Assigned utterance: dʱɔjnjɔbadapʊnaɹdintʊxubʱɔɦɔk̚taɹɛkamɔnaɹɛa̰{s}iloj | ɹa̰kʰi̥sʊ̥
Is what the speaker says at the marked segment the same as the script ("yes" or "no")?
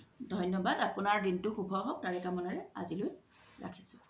no